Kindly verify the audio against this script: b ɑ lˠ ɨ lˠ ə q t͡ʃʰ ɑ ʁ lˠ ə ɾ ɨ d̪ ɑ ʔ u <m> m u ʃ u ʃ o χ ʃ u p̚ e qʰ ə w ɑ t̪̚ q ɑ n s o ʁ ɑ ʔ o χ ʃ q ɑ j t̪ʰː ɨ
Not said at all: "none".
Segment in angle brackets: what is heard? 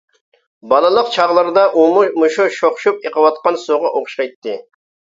m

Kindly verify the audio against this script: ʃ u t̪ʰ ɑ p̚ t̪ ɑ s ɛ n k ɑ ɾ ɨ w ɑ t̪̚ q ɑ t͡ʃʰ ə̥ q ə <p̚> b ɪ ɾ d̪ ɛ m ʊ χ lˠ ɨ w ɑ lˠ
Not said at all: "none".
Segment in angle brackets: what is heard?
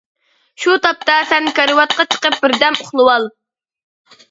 p̚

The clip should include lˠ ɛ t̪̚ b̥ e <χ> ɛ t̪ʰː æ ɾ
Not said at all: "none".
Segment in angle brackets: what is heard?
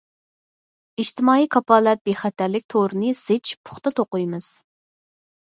χ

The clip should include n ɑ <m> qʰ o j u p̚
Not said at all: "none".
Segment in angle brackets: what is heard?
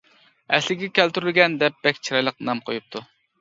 m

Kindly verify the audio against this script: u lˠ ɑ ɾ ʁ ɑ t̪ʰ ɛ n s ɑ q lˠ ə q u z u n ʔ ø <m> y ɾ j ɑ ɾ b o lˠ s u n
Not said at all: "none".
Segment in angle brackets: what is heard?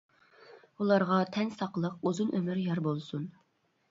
m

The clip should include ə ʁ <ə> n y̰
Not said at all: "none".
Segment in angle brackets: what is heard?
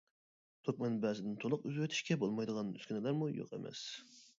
ɑ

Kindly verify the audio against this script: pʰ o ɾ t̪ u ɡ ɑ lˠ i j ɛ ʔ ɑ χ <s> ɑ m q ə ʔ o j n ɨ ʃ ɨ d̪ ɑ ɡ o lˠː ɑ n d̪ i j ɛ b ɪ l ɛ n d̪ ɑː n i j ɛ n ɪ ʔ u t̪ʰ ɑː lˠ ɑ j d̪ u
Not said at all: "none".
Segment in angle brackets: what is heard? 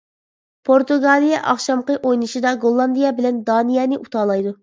ʃ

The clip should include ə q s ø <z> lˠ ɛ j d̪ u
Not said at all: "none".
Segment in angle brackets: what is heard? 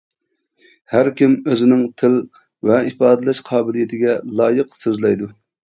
z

